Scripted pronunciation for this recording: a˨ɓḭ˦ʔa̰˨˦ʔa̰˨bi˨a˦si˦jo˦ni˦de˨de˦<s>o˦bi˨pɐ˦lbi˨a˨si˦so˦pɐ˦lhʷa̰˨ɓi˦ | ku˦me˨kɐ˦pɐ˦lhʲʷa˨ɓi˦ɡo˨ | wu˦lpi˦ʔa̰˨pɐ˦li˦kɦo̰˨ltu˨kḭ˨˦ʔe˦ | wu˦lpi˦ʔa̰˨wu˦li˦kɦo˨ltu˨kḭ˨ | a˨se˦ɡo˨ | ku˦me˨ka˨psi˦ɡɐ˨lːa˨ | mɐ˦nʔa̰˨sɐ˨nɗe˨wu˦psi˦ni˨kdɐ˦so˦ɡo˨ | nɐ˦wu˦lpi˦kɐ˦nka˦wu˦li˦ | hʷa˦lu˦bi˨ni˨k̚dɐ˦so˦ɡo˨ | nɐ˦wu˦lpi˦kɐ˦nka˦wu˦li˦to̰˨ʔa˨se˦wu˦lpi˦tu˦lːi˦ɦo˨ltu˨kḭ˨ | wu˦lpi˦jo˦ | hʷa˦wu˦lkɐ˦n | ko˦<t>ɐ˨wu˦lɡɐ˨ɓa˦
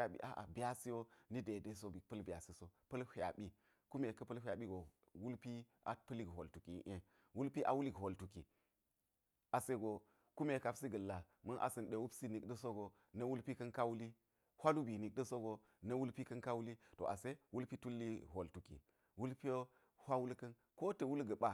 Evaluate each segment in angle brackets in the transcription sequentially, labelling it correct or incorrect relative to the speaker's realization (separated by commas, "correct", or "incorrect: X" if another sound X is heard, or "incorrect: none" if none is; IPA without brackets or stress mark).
correct, correct